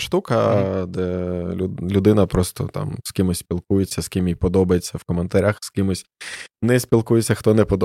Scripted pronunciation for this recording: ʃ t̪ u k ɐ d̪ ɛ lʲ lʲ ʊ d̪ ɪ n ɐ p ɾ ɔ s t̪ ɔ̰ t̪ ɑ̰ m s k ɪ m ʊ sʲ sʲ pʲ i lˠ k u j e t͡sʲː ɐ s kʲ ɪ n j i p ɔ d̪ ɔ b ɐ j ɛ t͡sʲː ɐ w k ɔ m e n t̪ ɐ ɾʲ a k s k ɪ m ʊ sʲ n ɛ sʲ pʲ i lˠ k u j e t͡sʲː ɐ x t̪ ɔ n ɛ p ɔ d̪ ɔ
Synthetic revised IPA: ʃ t̪ u k ɐ d̪ ɛ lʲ lʲ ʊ d̪ ɪ n ɐ p ɾ ɔ s t̪ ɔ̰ t̪ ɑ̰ m s k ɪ m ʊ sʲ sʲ pʲ i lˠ k u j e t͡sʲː ɐ s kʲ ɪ m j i p ɔ d̪ ɔ b ɐ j e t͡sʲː ɐ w k ɔ m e n t̪ ɐ ɾʲ a x s k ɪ m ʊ sʲ n ɛ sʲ pʲ i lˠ k u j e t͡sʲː ɐ x t̪ ɔ n ɛ p ɔ d̪ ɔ